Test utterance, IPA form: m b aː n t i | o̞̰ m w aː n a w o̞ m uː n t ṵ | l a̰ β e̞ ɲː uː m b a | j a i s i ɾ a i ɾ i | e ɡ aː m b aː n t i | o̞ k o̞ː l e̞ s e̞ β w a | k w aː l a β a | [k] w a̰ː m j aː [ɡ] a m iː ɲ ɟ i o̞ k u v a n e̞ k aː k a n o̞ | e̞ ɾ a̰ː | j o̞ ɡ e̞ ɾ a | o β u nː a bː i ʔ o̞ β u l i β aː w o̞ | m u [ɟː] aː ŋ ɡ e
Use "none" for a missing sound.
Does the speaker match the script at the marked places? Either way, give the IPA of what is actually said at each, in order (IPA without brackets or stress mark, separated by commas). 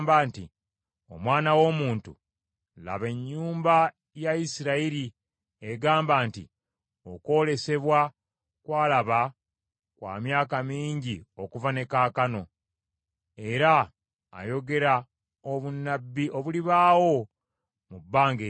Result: k, k, bː